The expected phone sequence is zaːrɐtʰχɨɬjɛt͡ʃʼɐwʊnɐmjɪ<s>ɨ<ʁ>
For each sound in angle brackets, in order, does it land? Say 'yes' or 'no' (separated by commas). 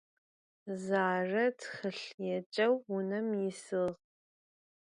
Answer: yes, yes